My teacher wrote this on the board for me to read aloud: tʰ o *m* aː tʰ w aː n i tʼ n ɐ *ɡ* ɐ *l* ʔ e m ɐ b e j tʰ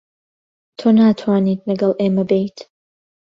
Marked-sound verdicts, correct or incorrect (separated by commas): incorrect, correct, correct